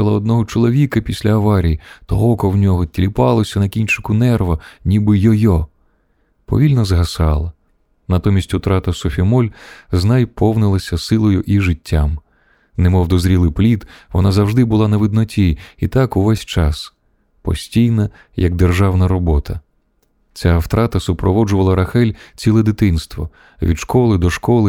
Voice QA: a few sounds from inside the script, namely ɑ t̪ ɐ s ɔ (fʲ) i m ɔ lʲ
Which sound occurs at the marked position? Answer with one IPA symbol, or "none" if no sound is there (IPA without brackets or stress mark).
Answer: fʲ